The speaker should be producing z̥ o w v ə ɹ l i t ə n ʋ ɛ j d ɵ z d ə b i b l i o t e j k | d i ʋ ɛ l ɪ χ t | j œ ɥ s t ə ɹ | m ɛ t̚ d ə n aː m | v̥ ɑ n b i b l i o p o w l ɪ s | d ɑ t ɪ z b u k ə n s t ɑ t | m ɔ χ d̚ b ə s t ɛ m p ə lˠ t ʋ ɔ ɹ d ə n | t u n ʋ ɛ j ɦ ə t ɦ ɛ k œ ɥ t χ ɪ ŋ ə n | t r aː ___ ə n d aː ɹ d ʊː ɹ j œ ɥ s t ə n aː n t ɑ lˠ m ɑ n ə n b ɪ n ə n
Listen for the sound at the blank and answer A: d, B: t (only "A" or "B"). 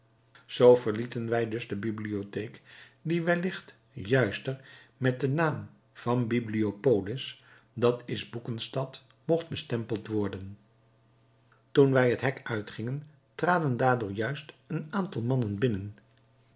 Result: A